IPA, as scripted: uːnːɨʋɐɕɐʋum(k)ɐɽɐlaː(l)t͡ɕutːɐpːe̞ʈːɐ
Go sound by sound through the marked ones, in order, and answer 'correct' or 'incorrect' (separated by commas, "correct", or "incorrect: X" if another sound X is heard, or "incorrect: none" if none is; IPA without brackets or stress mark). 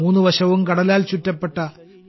correct, correct